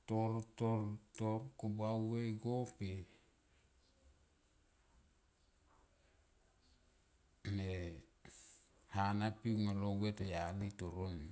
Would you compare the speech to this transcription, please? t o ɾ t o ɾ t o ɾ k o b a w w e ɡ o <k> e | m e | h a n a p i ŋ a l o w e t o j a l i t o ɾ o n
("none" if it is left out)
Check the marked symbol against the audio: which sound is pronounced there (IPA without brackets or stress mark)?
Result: p